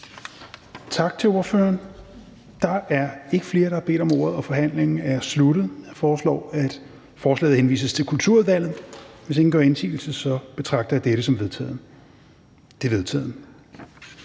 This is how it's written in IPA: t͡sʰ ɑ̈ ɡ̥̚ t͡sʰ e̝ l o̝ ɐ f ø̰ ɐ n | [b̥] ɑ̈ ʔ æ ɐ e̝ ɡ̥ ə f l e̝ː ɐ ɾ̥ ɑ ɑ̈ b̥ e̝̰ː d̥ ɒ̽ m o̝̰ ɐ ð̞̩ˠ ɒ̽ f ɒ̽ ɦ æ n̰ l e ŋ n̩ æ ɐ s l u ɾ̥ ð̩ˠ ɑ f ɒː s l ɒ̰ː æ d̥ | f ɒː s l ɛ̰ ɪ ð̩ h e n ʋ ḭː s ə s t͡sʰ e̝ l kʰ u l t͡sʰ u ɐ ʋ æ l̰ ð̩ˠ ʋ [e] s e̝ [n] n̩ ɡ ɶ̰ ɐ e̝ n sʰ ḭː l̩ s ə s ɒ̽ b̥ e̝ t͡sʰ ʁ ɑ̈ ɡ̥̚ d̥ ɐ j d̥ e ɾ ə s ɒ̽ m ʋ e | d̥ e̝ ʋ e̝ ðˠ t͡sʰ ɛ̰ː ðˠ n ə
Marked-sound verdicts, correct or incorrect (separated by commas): incorrect, correct, incorrect